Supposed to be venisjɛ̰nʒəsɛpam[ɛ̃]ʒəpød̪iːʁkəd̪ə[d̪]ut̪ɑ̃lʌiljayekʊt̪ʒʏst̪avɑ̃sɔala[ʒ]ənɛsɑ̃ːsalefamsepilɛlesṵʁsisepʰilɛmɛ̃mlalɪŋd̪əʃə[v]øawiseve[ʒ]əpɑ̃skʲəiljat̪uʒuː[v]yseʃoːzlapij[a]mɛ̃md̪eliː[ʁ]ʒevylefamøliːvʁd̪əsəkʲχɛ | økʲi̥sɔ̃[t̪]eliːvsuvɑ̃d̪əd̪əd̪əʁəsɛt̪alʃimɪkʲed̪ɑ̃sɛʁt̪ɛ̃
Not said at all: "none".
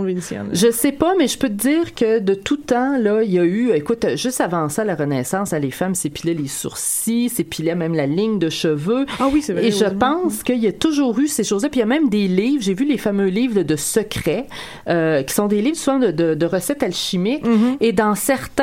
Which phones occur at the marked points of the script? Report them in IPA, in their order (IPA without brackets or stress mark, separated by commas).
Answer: ɛ, t̪, ʁ, v, ʒ, ʁ, a, v, d̪